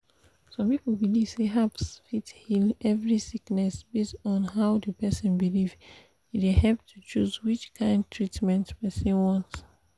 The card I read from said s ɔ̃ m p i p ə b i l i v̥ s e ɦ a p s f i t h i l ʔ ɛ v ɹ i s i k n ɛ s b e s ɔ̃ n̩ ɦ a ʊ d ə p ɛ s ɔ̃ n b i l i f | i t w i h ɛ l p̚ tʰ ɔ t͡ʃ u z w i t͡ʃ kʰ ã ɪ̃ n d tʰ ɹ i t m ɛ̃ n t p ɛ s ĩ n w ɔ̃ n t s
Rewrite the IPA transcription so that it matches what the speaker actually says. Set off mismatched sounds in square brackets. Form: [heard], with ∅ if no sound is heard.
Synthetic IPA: s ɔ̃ m p i p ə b i l i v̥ s e ɦ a p s f i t h i l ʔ ɛ v ɹ i s i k n ɛ s b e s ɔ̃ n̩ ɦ a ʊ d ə p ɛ s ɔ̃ n b i l i [v] | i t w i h ɛ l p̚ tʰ [u] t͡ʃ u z w i t͡ʃ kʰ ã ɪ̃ n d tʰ ɹ i t m ɛ̃ n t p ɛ s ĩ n w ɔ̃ n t s